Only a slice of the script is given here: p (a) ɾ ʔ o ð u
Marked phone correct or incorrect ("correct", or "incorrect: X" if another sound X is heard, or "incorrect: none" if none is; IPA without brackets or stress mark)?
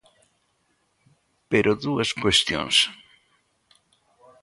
incorrect: e